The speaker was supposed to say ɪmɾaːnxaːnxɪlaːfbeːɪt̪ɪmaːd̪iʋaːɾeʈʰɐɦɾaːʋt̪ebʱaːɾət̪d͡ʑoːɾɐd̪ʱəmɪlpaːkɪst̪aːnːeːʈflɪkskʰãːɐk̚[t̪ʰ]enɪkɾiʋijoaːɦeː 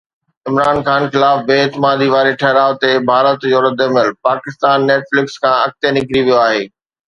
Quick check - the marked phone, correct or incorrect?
incorrect